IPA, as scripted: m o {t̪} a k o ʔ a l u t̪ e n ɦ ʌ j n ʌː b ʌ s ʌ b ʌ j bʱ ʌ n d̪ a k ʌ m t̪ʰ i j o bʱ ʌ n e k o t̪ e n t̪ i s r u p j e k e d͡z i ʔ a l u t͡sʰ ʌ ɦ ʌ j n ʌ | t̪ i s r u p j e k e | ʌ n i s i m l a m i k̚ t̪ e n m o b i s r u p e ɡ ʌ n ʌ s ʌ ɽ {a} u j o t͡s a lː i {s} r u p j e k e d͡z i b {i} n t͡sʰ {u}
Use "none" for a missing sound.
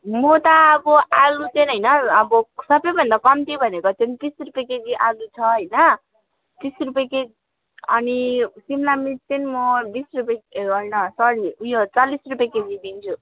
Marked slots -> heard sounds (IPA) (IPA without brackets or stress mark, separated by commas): t̪, i, s, i, u